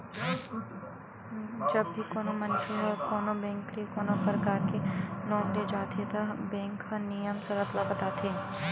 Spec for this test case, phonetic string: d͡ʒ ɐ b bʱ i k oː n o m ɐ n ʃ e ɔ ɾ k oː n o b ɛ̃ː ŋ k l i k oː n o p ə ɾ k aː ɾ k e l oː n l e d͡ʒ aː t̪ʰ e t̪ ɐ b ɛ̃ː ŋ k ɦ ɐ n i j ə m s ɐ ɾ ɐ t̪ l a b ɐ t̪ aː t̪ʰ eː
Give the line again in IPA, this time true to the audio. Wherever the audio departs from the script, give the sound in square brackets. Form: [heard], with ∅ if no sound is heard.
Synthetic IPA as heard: d͡ʒ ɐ b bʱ i k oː n o m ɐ n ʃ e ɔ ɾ k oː n o b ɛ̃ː ŋ k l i k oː n o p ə ɾ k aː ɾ k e l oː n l e d͡ʒ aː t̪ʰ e t̪ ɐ b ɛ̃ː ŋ k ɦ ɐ n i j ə m s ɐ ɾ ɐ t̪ l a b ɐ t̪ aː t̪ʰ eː